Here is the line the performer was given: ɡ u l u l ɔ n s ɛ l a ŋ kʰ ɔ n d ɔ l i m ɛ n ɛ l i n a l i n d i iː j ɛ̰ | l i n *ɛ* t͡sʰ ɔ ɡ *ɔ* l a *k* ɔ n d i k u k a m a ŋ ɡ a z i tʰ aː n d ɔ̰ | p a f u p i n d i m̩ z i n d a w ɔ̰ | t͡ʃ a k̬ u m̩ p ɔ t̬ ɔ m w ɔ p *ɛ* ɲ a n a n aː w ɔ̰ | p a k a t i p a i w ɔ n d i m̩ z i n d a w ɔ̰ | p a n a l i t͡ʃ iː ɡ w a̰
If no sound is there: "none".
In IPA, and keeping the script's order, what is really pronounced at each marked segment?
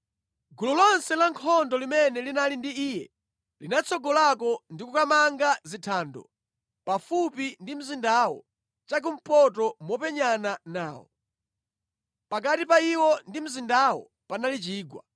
a, ɔ, k, ɛ

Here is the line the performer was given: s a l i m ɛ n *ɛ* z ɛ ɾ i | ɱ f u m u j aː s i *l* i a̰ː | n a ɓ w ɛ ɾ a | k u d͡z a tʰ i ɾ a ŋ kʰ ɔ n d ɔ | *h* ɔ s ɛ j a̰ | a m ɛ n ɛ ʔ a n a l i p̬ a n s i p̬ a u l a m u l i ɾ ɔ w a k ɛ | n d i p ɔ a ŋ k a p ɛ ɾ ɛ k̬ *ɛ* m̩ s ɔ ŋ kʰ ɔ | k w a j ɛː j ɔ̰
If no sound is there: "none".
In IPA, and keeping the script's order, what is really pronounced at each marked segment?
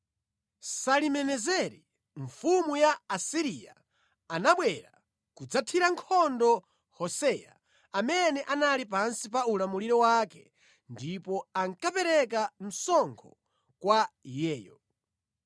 ɛ, ɾ, h, a

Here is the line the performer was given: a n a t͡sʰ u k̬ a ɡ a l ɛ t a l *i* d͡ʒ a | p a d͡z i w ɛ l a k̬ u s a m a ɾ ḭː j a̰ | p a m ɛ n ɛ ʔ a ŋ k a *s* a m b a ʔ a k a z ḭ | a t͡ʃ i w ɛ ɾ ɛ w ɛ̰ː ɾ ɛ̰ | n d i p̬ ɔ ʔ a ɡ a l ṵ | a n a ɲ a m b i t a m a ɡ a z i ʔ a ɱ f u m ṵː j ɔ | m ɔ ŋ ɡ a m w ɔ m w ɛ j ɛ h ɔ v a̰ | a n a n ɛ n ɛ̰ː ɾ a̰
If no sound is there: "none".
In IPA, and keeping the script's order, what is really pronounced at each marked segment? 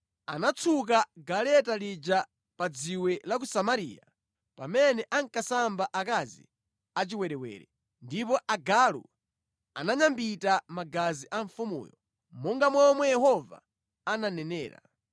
i, s

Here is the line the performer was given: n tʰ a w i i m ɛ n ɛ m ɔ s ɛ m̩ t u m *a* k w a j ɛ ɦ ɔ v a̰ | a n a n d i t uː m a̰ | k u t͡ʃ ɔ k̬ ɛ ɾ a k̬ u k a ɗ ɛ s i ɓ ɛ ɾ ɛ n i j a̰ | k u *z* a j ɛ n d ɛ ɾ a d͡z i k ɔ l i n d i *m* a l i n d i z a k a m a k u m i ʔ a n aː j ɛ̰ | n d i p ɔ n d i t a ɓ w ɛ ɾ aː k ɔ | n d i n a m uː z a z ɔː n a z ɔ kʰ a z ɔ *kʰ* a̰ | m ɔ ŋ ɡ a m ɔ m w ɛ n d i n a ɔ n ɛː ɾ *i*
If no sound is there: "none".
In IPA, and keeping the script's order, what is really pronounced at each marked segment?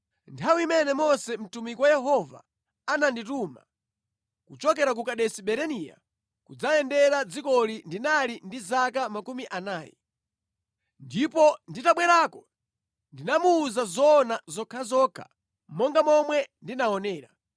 i, d͡z, n, kʰ, a

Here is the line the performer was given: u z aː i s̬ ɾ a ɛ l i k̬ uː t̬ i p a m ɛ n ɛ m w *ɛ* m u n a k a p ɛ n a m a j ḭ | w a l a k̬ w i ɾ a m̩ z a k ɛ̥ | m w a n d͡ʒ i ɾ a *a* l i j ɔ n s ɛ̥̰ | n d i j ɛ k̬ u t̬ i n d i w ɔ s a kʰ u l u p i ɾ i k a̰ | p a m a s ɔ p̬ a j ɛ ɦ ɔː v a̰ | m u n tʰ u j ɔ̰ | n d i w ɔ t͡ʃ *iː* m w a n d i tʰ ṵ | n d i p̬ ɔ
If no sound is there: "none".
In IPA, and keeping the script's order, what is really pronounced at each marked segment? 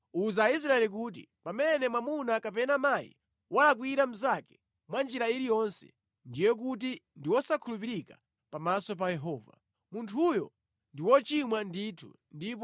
a, i, i

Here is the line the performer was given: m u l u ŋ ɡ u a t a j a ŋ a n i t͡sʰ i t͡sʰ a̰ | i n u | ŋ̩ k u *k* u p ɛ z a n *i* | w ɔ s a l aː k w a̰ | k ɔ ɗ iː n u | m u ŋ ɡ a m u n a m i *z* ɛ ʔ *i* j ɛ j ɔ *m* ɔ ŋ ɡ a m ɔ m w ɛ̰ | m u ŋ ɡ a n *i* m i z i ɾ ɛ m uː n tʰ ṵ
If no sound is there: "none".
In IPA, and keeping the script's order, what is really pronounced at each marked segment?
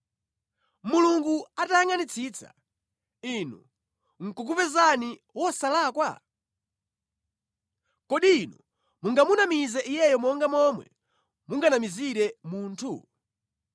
k, i, z, i, m, a

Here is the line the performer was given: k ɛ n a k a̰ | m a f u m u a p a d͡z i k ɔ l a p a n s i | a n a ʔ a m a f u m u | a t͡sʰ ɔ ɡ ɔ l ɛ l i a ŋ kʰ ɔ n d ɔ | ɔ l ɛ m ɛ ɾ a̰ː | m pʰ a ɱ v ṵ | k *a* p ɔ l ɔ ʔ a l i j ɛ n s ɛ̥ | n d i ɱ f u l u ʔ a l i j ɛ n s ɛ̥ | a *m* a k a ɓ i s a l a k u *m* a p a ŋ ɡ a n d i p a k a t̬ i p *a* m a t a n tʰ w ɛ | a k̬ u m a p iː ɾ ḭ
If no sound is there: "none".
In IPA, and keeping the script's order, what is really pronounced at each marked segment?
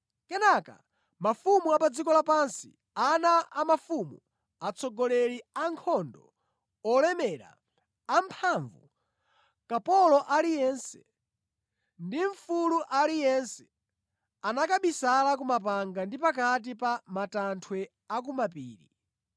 a, n, m, a

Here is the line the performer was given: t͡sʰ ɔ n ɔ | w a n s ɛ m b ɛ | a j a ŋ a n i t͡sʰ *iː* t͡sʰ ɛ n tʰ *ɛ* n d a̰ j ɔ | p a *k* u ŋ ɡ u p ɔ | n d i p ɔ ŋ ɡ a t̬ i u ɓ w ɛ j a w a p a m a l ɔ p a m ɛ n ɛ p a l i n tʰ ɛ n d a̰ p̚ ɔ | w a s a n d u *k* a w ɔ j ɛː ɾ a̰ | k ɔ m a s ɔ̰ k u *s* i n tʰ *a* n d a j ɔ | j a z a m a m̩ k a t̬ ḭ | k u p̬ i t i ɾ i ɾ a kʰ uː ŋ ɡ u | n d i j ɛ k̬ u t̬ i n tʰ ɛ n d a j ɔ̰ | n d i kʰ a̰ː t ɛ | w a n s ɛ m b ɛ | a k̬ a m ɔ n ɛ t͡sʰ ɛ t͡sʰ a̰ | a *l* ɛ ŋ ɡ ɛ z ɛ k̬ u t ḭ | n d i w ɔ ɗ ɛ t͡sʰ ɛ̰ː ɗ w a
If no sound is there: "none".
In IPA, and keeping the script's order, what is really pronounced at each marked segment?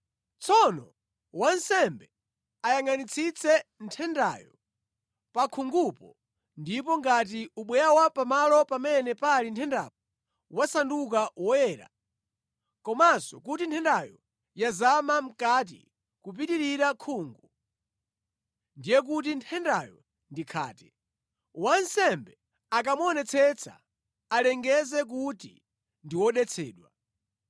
i, ɛ, kʰ, k, t, ɛ, l

